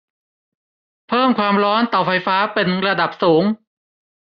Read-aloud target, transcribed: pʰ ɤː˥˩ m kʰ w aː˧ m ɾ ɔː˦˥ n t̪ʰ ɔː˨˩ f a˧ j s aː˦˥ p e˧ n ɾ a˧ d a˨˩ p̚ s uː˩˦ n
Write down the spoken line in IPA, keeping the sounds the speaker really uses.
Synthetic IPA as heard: pʰ ɤː˥˩ m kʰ w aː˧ m ɾ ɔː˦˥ n t̪ ɔː˨˩ f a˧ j f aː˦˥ p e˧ n ɾ a˧ d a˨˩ p̚ s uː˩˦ ŋ

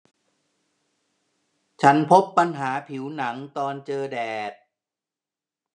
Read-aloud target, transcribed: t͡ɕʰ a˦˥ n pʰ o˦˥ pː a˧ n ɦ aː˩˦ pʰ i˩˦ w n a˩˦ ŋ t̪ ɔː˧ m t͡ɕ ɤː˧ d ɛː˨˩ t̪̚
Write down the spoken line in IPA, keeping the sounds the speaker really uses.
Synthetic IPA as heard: t͡ɕʰ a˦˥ n pʰ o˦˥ pː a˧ n ɦ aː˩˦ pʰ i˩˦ w n a˩˦ ŋ t̪ ɔː˧ n t͡ɕ ɤː˧ d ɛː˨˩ t̪̚

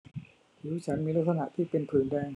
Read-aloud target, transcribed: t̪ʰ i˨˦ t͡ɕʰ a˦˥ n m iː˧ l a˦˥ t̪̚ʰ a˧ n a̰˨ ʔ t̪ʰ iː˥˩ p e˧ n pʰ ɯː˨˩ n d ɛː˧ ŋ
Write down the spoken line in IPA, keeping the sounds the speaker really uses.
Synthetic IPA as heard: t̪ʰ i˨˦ t͡ɕʰ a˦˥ n m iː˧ l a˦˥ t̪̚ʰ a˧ n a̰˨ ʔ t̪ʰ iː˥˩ p e˧ n pʰ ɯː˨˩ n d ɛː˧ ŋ

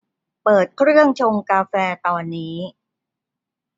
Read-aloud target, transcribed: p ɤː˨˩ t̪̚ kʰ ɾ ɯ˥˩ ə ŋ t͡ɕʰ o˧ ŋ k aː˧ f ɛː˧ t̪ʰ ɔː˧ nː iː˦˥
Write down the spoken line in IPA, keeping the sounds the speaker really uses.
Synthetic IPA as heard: p ɤː˨˩ t̪̚ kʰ ɾ ɯ˥˩ ə ŋ t͡ɕʰ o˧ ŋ k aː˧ f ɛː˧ t̪ ɔː˧ nː iː˦˥

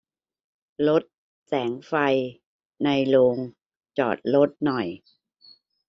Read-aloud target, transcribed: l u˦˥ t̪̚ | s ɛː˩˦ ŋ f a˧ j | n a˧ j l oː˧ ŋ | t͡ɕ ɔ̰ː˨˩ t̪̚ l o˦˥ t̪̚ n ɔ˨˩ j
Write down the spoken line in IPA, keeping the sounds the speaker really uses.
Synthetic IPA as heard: l o˦˥ t̪̚ | s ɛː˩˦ ŋ f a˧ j | n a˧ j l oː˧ ŋ | t͡ɕ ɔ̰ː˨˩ t̪̚ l o˦˥ t̪̚ n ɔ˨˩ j

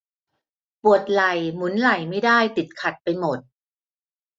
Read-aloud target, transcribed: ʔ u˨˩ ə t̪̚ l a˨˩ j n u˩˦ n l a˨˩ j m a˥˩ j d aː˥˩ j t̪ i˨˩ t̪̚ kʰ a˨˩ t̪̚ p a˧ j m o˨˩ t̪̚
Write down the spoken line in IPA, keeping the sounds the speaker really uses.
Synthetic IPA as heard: p u˨˩ ə t̪̚ l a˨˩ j m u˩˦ n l a˨˩ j m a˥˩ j d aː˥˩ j t̪ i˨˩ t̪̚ kʰ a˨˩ t̪̚ p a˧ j m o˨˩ t̪̚

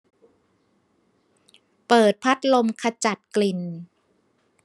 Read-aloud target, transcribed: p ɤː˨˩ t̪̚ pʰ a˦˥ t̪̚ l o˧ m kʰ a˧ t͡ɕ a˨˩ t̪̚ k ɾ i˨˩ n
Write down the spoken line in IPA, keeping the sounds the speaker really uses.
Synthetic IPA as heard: p ɤː˨˩ t̪̚ pʰ a˦˥ t̪̚ l o˧ m kʰ a˧ t͡ɕ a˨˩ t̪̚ k l i˨˩ n

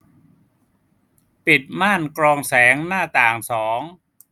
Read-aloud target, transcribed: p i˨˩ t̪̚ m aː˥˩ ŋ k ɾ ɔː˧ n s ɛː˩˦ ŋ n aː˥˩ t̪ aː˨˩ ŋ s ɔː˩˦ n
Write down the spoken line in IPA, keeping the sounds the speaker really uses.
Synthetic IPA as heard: p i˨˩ t̪̚ m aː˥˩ n k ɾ ɔː˧ ŋ s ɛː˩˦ ŋ n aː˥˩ t̪ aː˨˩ ŋ s ɔː˩˦ ŋ

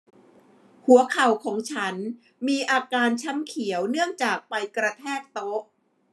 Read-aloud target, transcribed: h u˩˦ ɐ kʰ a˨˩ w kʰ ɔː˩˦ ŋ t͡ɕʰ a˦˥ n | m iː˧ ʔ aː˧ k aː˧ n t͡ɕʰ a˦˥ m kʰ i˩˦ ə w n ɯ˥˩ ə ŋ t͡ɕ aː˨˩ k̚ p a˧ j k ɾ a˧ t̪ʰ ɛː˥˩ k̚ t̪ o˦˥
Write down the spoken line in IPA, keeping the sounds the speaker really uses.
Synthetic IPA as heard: h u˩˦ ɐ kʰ a˨˩ w kʰ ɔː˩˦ ŋ t͡ɕʰ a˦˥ n | m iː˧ ʔ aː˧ k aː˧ n t͡ɕʰ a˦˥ m kʰ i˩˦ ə w n ɯ˥˩ ə ŋ t͡ɕ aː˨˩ k̚ p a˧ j k ɾ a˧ t̪ʰ ɛː˥˩ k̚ t̪ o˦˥

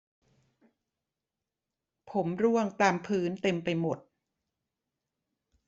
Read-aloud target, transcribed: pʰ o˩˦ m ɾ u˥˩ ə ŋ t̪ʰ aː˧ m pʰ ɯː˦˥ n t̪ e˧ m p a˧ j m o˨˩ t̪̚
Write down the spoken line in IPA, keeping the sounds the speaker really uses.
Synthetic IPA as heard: pʰ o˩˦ m ɾ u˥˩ ə ŋ t̪ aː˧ m pʰ ɯː˦˥ n t̪ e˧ m p a˧ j m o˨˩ t̪̚

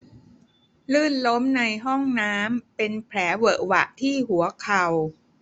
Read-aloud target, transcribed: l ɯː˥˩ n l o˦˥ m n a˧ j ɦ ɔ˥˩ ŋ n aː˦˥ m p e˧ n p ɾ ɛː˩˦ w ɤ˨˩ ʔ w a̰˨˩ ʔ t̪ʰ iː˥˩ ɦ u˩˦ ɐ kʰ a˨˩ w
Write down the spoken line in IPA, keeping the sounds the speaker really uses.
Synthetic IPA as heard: l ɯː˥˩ n l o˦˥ m n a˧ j ɦ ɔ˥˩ ŋ n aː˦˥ m p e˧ n pʰ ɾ ɛː˩˦ w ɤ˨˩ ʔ w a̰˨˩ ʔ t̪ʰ iː˥˩ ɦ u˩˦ ɐ kʰ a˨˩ w

